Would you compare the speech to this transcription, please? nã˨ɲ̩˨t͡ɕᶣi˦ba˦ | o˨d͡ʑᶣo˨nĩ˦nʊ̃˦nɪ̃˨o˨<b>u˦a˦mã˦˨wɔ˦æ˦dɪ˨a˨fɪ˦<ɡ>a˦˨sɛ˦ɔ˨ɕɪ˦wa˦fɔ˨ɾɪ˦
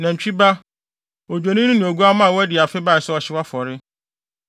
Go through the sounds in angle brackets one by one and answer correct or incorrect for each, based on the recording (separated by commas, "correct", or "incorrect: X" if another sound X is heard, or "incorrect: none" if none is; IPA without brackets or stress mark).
incorrect: ɡ, incorrect: b